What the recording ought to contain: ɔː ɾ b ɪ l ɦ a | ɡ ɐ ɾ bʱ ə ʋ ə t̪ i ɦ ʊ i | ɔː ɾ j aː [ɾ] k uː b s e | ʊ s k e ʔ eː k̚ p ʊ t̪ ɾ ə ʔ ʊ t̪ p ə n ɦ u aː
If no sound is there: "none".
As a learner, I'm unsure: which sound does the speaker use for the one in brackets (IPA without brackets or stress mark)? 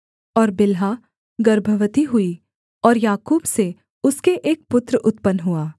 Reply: none